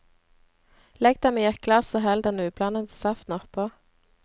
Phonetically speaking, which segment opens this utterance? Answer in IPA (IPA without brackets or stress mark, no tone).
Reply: l